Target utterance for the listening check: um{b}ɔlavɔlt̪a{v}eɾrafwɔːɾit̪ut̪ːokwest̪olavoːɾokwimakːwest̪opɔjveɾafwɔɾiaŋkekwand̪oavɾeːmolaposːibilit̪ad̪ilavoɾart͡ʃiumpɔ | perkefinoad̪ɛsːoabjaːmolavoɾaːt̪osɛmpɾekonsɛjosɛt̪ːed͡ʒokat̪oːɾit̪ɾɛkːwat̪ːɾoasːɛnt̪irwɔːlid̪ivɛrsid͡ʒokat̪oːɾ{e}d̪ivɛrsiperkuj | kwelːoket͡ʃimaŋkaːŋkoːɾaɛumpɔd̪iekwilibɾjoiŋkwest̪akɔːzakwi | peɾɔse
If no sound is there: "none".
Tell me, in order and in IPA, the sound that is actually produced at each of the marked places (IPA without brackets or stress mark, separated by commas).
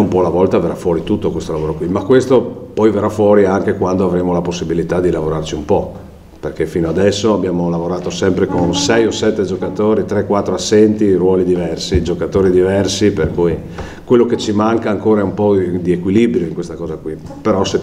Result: p, v, i